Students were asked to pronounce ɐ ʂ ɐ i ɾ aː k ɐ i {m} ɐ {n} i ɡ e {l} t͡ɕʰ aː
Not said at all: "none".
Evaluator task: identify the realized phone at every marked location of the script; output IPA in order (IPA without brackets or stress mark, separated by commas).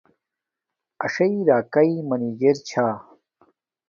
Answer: m, n, ɾ